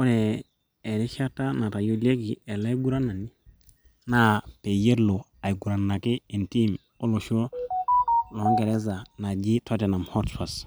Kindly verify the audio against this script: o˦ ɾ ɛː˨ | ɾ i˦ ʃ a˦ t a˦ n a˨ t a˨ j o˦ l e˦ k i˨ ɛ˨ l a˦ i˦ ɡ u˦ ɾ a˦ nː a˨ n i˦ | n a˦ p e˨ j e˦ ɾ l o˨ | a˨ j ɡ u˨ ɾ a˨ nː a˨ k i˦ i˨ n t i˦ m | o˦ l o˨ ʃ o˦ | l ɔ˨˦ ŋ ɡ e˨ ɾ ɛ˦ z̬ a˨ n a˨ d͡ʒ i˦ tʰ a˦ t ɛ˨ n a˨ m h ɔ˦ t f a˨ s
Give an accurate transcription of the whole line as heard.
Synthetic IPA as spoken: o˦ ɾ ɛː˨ | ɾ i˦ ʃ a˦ t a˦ n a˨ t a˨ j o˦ l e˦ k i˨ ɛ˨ l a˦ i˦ ɡ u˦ ɾ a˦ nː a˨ n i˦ | n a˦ p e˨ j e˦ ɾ l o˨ | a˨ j ɡ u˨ ɾ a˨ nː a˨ k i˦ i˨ n t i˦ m | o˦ l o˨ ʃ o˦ | l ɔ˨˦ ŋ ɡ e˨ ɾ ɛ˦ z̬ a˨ n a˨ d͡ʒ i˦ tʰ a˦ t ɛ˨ n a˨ m h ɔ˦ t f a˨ s